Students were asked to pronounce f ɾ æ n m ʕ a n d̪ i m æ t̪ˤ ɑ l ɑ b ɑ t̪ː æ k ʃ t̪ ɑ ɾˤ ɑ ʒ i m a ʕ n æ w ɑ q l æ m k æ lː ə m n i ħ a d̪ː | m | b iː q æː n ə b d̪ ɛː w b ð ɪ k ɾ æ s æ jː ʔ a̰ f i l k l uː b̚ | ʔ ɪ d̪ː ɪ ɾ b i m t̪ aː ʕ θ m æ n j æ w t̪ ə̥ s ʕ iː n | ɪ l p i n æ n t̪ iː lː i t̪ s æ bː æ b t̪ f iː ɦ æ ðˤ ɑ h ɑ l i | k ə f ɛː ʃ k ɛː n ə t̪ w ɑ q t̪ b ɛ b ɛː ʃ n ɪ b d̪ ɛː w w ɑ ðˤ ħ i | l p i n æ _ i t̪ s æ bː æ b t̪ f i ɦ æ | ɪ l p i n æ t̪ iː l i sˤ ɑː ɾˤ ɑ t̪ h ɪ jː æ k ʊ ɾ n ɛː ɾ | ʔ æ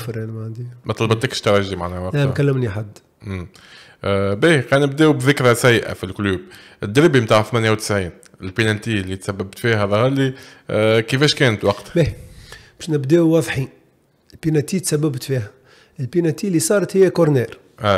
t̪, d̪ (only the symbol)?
t̪